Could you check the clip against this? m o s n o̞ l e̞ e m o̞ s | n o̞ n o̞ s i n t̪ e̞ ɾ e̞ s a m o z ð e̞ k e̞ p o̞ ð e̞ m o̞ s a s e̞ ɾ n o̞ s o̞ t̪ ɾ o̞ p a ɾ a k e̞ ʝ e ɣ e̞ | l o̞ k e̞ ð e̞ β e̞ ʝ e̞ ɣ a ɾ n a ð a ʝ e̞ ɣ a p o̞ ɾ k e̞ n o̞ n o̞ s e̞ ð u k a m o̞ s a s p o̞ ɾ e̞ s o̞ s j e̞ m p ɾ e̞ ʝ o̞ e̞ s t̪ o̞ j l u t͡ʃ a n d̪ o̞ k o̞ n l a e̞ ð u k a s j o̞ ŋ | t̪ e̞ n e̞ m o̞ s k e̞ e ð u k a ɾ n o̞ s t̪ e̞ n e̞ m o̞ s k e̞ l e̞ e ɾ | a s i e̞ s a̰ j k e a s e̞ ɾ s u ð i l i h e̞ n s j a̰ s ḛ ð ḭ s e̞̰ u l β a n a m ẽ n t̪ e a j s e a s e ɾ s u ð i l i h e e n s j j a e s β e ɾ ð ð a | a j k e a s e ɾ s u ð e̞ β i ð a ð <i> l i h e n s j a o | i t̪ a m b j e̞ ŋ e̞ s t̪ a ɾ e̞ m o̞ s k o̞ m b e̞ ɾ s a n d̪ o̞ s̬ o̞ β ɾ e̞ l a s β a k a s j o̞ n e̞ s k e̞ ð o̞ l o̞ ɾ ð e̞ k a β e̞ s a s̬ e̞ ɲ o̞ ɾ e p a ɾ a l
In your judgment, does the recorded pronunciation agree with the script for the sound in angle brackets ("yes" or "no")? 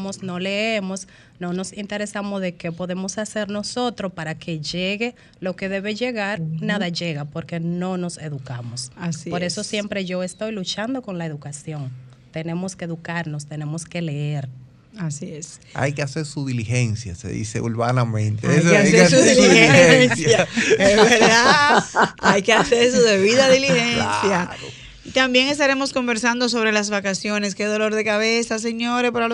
yes